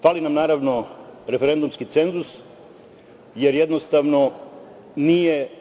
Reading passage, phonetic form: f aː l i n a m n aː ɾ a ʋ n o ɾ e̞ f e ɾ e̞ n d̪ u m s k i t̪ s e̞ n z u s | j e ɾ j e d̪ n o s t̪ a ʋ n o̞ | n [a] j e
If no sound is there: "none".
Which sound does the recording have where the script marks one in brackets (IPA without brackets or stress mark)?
i